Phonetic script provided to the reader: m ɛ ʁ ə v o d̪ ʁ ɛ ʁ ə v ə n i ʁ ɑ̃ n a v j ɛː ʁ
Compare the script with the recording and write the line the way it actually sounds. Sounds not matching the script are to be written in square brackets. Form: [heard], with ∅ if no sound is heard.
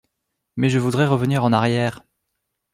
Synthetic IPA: m ɛ [ʒ] ə v [u] d̪ ʁ ɛ ʁ ə v ə n i ʁ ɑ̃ n a [ʁ] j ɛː ʁ

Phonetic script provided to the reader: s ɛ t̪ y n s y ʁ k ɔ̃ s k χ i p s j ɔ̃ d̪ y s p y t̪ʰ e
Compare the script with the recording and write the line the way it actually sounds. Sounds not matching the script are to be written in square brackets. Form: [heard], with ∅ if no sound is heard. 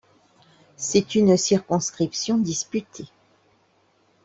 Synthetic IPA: s ɛ t̪ y n s [i] ʁ k ɔ̃ s k χ i p s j ɔ̃ d̪ [i] s p y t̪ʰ e

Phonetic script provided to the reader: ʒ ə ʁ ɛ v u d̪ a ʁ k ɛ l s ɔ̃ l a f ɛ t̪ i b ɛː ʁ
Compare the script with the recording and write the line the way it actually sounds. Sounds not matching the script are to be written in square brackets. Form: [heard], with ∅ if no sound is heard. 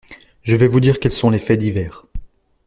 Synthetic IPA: ʒ ə [v] ɛ v u d̪ [i] ʁ k ɛ l s ɔ̃ l [e] f ɛ [d̪] i [v] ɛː ʁ

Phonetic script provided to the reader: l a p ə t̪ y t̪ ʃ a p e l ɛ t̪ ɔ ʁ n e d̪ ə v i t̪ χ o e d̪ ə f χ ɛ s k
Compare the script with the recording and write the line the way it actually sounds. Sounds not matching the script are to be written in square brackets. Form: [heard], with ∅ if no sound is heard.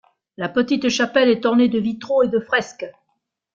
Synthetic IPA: l a p ə t̪ [i] t̪ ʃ a p [ɛ] l ɛ t̪ ɔ ʁ n e d̪ ə v i t̪ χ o e d̪ ə f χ ɛ s k

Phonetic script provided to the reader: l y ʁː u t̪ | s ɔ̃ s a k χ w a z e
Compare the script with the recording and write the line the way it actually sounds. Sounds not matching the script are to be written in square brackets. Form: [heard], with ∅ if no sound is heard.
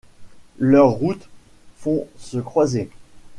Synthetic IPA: l [œ] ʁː u t̪ | [f] ɔ̃ s [ə] k χ w a z e

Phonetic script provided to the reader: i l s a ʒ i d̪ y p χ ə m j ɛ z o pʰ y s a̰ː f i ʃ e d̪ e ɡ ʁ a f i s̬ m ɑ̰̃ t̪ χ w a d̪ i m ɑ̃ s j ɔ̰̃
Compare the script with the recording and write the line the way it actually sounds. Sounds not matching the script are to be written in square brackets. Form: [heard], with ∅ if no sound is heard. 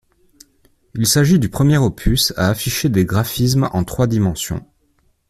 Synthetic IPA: i l s a ʒ i d̪ y p χ ə m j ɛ [ʁ] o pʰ y s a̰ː f i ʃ e d̪ e ɡ ʁ a f i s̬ m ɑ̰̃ t̪ χ w a d̪ i m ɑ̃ s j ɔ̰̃

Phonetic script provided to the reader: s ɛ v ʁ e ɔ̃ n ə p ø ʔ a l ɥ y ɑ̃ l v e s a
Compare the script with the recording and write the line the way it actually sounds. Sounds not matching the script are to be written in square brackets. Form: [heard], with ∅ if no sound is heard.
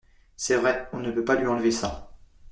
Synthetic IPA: s ɛ v ʁ [ɛ] ɔ̃ n ə p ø [p] a l ɥ [i] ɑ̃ l v e s a

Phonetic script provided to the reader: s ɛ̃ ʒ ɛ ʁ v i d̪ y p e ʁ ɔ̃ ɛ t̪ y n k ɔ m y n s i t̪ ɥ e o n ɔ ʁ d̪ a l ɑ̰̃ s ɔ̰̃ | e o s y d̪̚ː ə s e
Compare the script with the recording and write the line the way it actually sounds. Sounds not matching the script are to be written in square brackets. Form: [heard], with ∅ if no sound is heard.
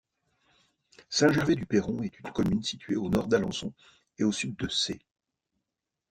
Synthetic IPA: s ɛ̃ ʒ ɛ ʁ v [e] d̪ y p e ʁ ɔ̃ ɛ t̪ y n k ɔ m y n s i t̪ ɥ e o n ɔ ʁ d̪ a l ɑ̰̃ s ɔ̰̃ | e o s y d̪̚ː ə s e

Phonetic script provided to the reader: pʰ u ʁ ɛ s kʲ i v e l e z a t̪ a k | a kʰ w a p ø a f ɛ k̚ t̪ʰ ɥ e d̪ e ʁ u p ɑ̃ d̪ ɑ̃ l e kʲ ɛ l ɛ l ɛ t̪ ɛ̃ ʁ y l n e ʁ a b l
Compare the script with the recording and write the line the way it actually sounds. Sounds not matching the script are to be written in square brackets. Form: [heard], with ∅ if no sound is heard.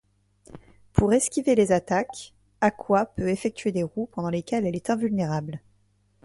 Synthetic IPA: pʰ u ʁ ɛ s kʲ i v e l e z a t̪ a k | a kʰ w a p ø [e] f ɛ k̚ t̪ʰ ɥ e d̪ e ʁ u p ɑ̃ d̪ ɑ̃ l e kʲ ɛ l ɛ l ɛ t̪ ɛ̃ [v] y l n e ʁ a b l

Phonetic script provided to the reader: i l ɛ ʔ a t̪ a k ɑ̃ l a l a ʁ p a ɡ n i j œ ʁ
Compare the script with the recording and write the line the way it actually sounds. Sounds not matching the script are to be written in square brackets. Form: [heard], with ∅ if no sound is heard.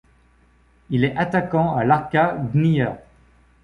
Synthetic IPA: i l ɛ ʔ a t̪ a k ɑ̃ [∅] a l a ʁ [k] a ɡ n i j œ ʁ

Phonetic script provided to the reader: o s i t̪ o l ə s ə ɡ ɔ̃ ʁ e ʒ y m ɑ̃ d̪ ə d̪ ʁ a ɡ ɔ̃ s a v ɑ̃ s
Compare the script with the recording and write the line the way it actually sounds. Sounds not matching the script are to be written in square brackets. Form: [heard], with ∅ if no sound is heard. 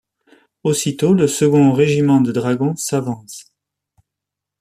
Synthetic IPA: o s i t̪ o l ə s ə ɡ ɔ̃ ʁ e ʒ [i] m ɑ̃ d̪ ə d̪ ʁ a ɡ ɔ̃ s a v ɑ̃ s

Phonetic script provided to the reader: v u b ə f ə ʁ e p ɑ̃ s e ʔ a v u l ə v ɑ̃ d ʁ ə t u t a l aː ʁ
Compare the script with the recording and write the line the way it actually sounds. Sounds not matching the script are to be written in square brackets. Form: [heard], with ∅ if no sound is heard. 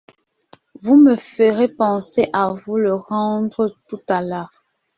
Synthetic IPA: v u [m] ə f ə ʁ e p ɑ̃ s e ʔ a v u l ə [ʁ] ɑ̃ d ʁ ə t u t a l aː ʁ

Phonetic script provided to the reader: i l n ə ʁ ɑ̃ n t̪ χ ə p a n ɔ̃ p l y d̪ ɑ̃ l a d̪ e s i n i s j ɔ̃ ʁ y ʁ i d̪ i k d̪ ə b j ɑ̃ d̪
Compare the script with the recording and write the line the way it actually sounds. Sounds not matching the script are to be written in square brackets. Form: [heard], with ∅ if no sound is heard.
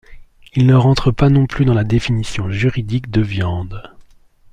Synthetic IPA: i l n ə ʁ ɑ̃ [∅] t̪ χ ə p a n ɔ̃ p l y d̪ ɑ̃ l a d̪ e [f] i n i s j ɔ̃ [ʒ] y ʁ i d̪ i k d̪ ə [v] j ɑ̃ d̪

